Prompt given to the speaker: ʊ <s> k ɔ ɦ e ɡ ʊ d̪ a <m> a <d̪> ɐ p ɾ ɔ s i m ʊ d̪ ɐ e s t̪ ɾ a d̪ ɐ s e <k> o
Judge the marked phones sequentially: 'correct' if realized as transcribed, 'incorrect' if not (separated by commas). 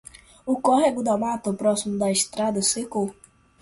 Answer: incorrect, correct, incorrect, correct